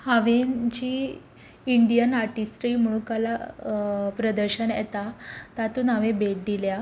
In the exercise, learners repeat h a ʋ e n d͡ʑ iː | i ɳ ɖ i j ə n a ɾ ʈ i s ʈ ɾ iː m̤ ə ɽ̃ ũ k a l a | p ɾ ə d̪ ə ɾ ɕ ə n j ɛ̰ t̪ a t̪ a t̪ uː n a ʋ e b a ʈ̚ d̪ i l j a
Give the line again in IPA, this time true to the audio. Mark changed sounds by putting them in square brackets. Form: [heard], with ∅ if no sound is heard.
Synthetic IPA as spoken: h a ʋ e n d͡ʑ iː | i ɳ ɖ i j ə n a ɾ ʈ i s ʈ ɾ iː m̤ ə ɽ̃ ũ k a l a | p ɾ ə d̪ ə ɾ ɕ ə n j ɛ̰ t̪ a t̪ a t̪ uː n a ʋ e b [e] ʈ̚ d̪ i l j a

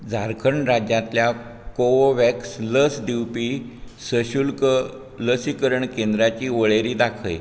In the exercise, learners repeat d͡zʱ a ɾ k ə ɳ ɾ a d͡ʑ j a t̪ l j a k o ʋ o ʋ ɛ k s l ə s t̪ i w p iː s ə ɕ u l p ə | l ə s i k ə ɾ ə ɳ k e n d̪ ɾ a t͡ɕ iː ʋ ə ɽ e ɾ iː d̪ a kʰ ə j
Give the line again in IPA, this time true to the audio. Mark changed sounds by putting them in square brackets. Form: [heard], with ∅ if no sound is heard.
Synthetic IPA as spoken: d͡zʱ a ɾ [kʰ] ə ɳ ɾ a d͡ʑ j a t̪ l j a k o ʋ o ʋ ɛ k s l ə s [d̪] i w p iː s ə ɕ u l [k] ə | l ə s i k ə ɾ ə ɳ k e n d̪ ɾ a t͡ɕ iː ʋ ə [ɭ] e ɾ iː d̪ a kʰ ə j

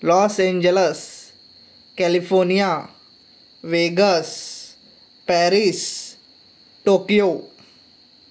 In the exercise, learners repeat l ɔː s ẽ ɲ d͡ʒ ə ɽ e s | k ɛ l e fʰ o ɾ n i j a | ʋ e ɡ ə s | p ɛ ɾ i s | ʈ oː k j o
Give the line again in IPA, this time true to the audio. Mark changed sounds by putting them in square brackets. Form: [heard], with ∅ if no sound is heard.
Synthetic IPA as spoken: l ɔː s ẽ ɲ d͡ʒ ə [l] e s | k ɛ l [i] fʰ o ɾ n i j a | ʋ e ɡ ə s | p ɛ ɾ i s | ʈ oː k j o

